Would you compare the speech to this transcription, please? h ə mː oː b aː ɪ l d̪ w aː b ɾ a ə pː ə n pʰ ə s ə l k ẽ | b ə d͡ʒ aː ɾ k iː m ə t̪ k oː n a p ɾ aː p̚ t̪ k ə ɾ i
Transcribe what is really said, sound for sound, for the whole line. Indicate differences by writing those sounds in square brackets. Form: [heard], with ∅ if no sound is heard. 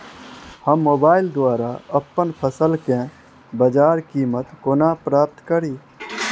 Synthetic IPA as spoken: h ə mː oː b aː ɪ l d̪ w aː [∅] ɾ a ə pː ə n pʰ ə s ə l k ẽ | b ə d͡ʒ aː ɾ k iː m ə t̪ k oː n a p ɾ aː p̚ t̪ k ə ɾ i